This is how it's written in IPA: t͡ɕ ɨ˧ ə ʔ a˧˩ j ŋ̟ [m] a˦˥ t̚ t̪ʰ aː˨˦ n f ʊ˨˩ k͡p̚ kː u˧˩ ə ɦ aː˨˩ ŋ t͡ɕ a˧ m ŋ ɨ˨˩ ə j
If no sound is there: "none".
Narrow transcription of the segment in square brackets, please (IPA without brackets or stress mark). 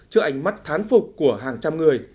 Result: m